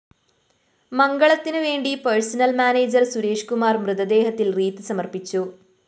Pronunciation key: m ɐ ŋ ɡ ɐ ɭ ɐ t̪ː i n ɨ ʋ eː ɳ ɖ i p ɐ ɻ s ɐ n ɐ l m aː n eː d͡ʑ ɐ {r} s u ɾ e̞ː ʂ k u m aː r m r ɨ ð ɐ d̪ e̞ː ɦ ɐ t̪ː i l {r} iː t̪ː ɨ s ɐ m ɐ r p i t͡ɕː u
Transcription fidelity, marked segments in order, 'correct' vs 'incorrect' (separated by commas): correct, correct